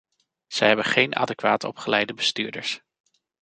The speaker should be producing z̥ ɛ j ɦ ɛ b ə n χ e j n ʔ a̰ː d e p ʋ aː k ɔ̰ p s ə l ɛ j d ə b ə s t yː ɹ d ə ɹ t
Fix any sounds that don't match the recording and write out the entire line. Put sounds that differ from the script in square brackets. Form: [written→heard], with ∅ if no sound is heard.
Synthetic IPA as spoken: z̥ ɛ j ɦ ɛ b ə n χ e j n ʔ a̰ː d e [p→k] ʋ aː [k→t] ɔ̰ p [s→χ] ə l ɛ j d ə b ə s t yː ɹ d ə ɹ [t→s]